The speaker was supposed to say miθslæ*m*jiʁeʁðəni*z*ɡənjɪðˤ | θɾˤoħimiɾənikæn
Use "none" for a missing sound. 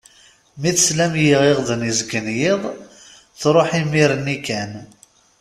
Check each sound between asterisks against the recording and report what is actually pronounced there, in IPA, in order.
m, z

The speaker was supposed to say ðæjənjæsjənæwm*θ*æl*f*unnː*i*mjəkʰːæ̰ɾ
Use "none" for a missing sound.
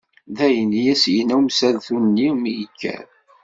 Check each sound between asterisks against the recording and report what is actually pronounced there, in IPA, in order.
s, θ, i

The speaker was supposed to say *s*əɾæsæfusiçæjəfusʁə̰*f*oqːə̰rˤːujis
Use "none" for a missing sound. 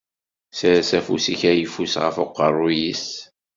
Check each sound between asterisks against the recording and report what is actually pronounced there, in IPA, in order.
s, f

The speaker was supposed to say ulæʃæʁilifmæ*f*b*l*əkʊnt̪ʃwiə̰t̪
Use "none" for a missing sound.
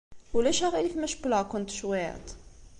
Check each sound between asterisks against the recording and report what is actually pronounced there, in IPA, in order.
ʃ, l

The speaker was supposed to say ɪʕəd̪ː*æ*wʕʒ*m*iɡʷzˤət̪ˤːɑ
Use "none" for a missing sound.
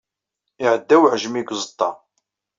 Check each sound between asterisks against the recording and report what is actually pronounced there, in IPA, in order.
æ, m

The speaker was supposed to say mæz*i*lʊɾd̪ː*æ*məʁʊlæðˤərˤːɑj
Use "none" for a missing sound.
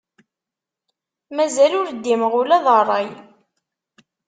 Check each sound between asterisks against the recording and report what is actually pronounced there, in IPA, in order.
æ, i

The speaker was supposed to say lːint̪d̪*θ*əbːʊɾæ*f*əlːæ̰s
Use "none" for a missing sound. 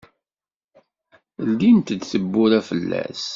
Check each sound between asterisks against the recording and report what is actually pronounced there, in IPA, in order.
θ, f

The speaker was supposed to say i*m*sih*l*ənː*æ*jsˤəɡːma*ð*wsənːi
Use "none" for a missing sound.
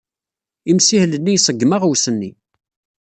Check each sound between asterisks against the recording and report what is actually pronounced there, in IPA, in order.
m, l, i, ʁ

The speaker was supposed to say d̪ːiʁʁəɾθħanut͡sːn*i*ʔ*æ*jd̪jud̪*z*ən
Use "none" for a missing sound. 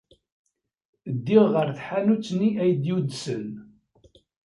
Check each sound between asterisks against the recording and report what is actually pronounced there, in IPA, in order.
i, æ, s

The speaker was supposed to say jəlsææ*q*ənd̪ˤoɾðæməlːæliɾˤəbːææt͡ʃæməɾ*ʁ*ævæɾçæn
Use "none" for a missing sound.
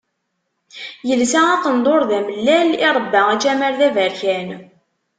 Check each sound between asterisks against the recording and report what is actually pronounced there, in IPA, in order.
q, ð

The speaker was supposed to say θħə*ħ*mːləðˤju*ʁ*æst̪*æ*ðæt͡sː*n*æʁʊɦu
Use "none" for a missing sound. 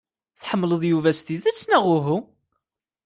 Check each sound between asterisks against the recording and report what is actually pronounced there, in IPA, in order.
none, v, i, n

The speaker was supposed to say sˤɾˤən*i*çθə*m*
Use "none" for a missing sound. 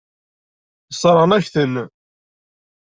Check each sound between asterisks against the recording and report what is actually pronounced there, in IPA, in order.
æ, n

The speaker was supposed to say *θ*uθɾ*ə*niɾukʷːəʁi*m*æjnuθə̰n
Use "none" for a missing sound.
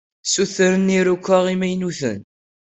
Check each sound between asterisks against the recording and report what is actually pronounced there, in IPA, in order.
s, ə, m

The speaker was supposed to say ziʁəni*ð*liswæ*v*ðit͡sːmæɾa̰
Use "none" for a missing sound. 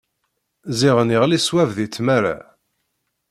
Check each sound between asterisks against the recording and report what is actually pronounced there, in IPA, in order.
ʁ, v

